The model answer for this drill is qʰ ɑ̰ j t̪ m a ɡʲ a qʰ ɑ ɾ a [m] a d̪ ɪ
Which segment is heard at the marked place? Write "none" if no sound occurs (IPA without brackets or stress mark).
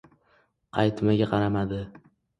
m